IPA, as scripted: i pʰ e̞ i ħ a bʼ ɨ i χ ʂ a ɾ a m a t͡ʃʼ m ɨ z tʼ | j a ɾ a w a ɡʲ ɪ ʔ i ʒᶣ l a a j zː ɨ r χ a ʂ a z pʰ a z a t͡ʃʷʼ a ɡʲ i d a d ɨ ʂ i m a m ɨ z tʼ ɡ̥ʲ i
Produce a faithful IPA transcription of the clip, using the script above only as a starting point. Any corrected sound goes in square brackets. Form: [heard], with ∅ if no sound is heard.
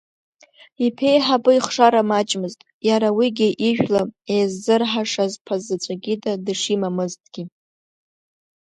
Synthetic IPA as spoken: i pʰ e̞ [j] ħ a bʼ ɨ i χ ʂ a ɾ a m a t͡ʃʼ m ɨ z tʼ | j a ɾ a w [i] ɡʲ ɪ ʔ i ʒᶣ l a [e] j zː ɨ r [ħ] a ʂ a z pʰ a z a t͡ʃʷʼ a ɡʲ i d a d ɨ ʂ i m a m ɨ z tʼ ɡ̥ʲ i